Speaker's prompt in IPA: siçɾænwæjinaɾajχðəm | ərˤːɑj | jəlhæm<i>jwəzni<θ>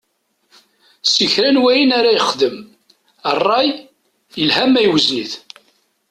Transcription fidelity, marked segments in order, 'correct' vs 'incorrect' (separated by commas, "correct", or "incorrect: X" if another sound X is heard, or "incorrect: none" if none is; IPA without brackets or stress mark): incorrect: æ, correct